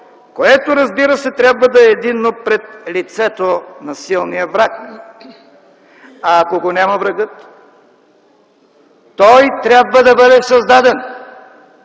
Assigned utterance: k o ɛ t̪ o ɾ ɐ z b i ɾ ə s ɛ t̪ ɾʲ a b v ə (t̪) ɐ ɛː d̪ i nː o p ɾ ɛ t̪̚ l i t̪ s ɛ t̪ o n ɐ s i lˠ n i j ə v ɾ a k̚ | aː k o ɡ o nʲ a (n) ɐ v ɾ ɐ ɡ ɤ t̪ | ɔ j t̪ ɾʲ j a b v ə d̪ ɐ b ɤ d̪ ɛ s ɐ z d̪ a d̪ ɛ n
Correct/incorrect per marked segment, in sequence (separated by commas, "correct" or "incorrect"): incorrect, incorrect